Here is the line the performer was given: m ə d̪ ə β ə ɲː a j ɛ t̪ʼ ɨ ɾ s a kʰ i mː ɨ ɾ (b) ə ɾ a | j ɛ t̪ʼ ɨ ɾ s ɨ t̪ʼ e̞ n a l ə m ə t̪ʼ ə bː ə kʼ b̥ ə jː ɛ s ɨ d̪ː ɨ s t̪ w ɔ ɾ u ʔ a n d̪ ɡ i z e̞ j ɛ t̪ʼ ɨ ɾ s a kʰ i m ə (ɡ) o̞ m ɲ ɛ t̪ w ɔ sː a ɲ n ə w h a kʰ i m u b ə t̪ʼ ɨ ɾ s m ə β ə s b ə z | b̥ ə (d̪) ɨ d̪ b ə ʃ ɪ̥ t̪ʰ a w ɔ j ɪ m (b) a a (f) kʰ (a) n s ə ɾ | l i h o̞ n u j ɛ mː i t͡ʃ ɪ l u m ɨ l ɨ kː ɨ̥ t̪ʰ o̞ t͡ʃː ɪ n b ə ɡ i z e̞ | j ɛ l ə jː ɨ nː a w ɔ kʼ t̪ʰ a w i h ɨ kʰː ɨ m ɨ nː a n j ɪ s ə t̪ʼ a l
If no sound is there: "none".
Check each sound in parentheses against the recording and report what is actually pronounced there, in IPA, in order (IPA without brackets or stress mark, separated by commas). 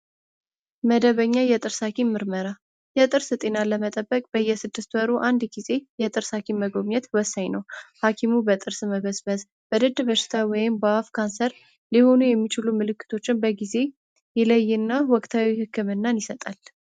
m, ɡ, d̪, b, f, a